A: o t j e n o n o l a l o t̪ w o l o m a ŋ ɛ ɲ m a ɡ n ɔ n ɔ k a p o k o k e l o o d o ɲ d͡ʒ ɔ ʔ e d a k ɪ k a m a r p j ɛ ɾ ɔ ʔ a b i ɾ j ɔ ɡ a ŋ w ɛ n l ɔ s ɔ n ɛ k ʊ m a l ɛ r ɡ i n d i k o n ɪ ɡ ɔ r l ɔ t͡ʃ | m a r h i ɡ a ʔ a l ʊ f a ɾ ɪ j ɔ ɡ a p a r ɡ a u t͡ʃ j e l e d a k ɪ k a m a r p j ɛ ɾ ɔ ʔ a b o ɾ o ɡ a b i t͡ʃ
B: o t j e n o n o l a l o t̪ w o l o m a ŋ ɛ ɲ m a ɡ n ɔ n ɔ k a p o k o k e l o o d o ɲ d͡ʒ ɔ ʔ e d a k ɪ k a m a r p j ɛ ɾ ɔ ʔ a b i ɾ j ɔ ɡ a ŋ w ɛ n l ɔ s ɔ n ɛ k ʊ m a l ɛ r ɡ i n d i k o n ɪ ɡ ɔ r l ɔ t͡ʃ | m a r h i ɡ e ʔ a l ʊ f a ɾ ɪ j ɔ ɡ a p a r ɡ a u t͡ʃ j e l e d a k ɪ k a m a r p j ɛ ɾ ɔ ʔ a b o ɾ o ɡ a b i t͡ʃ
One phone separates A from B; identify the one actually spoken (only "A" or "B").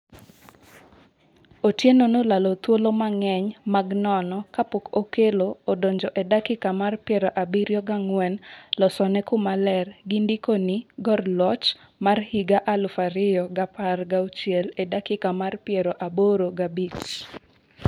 A